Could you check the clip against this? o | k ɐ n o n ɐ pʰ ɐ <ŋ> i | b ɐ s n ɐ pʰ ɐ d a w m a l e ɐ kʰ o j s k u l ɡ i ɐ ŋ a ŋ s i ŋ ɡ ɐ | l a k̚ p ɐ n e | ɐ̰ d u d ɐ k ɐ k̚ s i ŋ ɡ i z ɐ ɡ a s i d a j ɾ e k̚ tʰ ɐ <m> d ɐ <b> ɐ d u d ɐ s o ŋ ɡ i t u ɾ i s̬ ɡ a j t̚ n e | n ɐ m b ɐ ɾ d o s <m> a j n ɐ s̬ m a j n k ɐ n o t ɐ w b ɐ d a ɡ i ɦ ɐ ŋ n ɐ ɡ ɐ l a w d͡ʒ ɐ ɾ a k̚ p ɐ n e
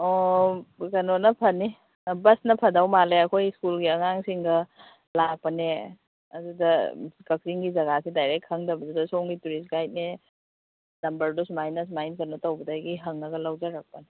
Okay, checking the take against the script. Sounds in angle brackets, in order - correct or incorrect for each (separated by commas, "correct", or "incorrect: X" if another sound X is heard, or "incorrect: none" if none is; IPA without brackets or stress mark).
incorrect: n, incorrect: ŋ, correct, correct